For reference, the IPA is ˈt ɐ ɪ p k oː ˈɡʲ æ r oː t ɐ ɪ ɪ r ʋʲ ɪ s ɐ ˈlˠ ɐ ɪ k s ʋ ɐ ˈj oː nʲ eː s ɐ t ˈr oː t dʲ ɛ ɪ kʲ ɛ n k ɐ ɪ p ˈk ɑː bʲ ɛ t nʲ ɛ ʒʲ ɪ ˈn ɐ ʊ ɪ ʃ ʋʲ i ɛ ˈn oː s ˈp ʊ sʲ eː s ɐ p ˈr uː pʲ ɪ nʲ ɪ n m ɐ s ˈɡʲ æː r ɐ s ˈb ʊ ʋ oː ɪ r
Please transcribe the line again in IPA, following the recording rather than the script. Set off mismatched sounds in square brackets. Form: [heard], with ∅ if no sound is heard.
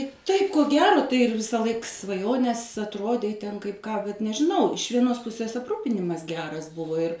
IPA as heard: ˈt ɐ ɪ p k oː ˈɡʲ [æː] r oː t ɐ ɪ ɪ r ʋʲ ɪ s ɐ ˈlˠ ɐ ɪ k s ʋ ɐ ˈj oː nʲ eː s ɐ t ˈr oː [∅] dʲ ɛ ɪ [tʲ] ɛ n k ɐ ɪ p ˈk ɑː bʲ ɛ t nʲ ɛ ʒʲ ɪ ˈn ɐ ʊ ɪ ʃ ʋʲ i ɛ ˈn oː s ˈp ʊ sʲ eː s ɐ p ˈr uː pʲ ɪ nʲ ɪ [∅] m ɐ s ˈɡʲ æː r ɐ s ˈb ʊ ʋ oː ɪ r

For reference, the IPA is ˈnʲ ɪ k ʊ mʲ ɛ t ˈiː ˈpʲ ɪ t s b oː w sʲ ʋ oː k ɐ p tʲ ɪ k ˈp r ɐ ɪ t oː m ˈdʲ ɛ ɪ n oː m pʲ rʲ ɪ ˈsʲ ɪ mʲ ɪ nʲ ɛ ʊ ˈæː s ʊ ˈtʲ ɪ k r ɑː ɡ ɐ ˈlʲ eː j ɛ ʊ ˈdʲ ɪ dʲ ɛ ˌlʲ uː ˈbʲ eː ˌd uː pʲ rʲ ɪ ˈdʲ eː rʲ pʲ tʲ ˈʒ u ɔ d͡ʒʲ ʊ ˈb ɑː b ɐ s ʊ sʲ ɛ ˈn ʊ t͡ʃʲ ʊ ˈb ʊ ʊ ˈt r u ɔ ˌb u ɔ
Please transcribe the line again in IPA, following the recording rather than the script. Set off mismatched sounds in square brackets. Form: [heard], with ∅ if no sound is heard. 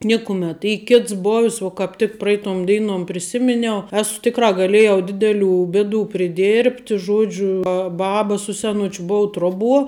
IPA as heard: ˈnʲ ɪ k ʊ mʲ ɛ t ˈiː [ˈkʲ] ɪ t s b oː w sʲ ʋ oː k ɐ p tʲ ɪ k ˈp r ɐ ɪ t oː m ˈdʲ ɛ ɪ n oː m pʲ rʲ ɪ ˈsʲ ɪ mʲ ɪ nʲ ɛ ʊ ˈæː s ʊ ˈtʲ ɪ k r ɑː ɡ ɐ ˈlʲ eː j ɛ ʊ ˈdʲ ɪ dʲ ɛ ˌlʲ uː ˈbʲ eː ˌd uː pʲ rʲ ɪ ˈdʲ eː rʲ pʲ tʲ ˈʒ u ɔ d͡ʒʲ ʊ ˈb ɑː b ɐ s ʊ sʲ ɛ ˈn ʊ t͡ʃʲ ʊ ˈb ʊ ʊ ˈt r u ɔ ˌb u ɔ

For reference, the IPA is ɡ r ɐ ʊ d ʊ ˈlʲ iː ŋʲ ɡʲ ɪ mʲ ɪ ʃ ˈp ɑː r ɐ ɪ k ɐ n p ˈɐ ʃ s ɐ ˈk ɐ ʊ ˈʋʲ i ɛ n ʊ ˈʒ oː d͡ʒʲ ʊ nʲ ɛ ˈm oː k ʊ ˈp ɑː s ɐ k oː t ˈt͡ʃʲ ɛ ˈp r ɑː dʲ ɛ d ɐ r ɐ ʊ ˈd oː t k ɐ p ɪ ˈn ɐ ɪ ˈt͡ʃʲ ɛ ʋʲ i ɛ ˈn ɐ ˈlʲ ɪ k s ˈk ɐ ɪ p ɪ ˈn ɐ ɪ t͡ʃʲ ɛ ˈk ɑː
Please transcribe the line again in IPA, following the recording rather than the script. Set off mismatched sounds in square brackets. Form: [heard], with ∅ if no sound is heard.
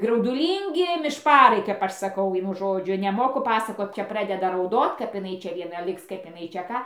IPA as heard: ɡ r ɐ ʊ d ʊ ˈlʲ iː ŋʲ ɡʲ ɪ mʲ ɪ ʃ ˈp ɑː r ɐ ɪ k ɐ [∅] p ˈɐ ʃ s ɐ ˈk ɐ ʊ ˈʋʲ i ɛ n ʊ ˈʒ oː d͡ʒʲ ʊ nʲ ɛ ˈm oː k ʊ ˈp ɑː s ɐ k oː t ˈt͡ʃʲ ɛ ˈp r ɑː dʲ ɛ d ɐ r ɐ ʊ ˈd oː t k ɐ p ɪ ˈn ɐ ɪ ˈt͡ʃʲ ɛ ʋʲ i ɛ ˈn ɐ ˈlʲ ɪ k s ˈk ɐ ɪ p ɪ ˈn ɐ ɪ t͡ʃʲ ɛ ˈk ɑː

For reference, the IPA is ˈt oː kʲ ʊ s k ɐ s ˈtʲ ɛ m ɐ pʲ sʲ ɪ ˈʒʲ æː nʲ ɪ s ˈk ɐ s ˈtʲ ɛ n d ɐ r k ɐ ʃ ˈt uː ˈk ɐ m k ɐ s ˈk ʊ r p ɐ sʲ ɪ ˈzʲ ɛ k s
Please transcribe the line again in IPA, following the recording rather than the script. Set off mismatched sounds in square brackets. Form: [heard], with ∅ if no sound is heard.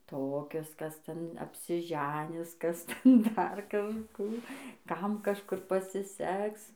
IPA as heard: ˈt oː kʲ ʊ s k ɐ s ˈtʲ ɛ [n] ɐ pʲ sʲ ɪ ˈʒʲ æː nʲ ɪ s ˈk ɐ s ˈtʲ ɛ n d ɐ r k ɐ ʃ [ˈk] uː ˈk ɐ m k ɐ [ʃ] ˈk ʊ r p ɐ sʲ ɪ [ˈsʲ] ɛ k s

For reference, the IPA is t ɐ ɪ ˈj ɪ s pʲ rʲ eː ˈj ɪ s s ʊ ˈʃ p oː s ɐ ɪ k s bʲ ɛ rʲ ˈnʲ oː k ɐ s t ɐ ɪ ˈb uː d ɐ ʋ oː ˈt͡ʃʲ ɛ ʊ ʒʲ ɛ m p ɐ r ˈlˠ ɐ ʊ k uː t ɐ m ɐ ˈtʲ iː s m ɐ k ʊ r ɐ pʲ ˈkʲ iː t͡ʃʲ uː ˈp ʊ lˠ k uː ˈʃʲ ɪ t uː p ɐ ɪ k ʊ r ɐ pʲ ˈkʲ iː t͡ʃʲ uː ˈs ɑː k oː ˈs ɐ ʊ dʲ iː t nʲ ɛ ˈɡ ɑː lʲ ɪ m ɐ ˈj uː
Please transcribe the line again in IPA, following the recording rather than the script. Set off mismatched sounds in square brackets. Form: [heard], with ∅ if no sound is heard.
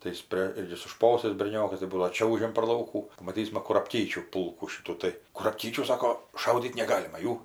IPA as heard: t ɐ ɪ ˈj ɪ s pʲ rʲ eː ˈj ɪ s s ʊ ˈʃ p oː s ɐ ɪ [∅] s bʲ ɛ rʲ ˈnʲ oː k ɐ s t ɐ ɪ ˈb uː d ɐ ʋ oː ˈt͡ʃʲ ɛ ʊ ʒʲ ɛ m p ɐ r ˈlˠ ɐ ʊ k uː [p] ɐ m ɐ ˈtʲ iː s m ɐ k ʊ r ɐ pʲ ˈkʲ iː t͡ʃʲ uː ˈp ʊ lˠ k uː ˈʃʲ ɪ t uː [t] ɐ ɪ k ʊ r ɐ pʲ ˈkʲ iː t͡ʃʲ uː ˈs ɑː k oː [ˈʃ] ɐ ʊ dʲ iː t nʲ ɛ ˈɡ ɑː lʲ ɪ m ɐ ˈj uː

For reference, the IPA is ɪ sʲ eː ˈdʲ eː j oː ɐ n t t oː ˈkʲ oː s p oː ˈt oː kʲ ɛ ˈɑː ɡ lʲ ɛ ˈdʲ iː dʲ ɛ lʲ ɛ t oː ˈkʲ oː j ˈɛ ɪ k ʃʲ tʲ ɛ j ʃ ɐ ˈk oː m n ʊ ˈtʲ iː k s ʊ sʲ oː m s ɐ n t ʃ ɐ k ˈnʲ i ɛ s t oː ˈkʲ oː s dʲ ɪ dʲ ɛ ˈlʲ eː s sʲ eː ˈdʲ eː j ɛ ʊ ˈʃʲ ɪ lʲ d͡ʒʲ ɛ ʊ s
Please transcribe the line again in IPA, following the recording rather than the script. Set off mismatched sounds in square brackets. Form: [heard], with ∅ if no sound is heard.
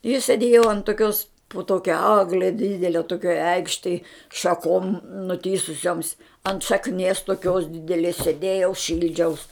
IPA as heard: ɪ sʲ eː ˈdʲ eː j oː ɐ n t t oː ˈkʲ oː s p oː ˈt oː kʲ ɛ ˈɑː ɡ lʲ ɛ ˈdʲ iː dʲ ɛ lʲ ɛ t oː ˈkʲ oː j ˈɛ ɪ k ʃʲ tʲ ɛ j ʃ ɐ ˈk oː m n ʊ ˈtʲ iː [∅] s ʊ sʲ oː m s ɐ n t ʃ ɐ k ˈnʲ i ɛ s t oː ˈkʲ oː s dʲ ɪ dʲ ɛ ˈlʲ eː s sʲ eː ˈdʲ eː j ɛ ʊ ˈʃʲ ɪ lʲ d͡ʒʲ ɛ ʊ s

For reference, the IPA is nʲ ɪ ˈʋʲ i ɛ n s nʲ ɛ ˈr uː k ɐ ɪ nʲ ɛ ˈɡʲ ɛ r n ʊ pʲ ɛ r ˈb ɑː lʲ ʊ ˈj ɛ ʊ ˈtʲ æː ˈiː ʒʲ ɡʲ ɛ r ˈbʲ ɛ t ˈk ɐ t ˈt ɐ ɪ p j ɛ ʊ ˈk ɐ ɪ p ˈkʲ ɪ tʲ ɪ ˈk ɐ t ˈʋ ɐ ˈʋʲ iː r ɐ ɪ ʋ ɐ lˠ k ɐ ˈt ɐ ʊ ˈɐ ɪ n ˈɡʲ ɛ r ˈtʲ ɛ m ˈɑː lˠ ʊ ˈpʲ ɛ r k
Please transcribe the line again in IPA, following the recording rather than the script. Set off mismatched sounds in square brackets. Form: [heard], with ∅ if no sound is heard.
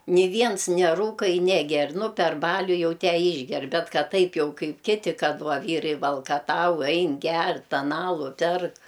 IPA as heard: nʲ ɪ ˈʋʲ i ɛ n s nʲ ɛ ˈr uː k ɐ ɪ nʲ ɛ ˈɡʲ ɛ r n ʊ pʲ ɛ r ˈb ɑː lʲ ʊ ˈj ɛ ʊ ˈtʲ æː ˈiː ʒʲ ɡʲ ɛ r ˈbʲ ɛ t ˈk ɐ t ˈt ɐ ɪ p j ɛ ʊ ˈk ɐ ɪ p ˈkʲ ɪ tʲ ɪ ˈk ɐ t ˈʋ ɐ ˈʋʲ iː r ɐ ɪ ʋ ɐ lˠ k ɐ ˈt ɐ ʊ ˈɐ ɪ n ˈɡʲ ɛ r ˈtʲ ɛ [n] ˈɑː lˠ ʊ ˈpʲ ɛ r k

